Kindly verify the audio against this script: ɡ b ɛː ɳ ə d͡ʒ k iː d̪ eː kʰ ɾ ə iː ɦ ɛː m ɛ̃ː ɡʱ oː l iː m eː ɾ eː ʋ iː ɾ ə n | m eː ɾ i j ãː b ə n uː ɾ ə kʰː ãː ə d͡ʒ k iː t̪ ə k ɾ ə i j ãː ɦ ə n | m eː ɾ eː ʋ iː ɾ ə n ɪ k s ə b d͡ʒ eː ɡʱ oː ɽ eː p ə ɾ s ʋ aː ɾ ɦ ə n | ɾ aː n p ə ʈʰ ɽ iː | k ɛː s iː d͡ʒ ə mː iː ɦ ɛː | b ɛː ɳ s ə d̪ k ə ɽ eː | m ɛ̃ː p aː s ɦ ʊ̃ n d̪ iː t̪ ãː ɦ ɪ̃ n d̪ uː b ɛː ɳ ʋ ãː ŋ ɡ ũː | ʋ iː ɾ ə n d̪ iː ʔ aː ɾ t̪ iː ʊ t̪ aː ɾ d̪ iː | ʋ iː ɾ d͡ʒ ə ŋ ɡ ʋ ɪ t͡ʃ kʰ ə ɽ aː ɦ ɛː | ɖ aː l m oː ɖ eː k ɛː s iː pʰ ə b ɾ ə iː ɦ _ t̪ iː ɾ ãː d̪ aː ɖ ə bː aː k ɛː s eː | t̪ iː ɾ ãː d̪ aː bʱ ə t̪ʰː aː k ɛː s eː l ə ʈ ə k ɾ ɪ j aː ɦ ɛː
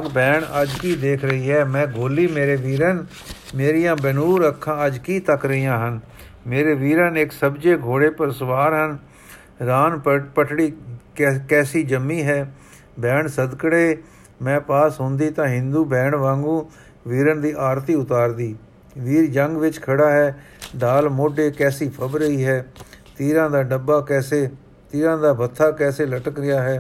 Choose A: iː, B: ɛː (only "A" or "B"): B